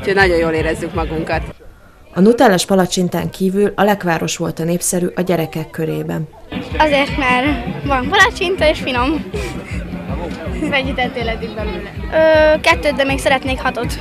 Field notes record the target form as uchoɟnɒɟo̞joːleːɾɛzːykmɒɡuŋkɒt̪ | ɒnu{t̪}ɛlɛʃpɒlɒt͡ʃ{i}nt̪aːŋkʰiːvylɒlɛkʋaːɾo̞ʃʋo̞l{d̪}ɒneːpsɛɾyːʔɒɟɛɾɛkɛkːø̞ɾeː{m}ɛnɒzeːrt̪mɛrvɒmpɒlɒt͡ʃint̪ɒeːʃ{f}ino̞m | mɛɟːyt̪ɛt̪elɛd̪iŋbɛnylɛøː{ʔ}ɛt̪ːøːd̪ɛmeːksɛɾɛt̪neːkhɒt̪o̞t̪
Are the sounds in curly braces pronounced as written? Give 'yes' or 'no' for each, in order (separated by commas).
yes, yes, no, no, yes, no